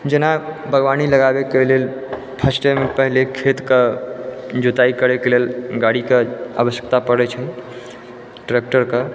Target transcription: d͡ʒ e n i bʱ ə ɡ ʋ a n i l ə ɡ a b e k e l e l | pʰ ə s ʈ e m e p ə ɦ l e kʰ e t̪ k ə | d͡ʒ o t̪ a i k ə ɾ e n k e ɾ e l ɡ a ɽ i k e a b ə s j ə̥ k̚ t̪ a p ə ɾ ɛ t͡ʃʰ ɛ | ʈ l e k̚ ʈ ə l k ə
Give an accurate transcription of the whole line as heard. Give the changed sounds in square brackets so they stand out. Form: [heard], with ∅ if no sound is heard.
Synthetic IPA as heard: d͡ʒ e n [a] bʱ ə ɡ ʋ a n i l ə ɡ a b e k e l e l | pʰ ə s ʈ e m e p ə ɦ l e kʰ e t̪ k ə | d͡ʒ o t̪ a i k ə ɾ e [∅] k e [l] e l ɡ a ɽ i k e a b ə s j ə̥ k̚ t̪ a p ə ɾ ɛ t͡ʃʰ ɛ | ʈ [ɾ] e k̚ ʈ ə [ɾ] k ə